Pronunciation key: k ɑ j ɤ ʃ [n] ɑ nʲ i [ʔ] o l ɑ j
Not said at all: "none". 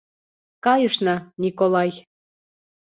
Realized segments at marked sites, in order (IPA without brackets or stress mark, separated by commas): n, k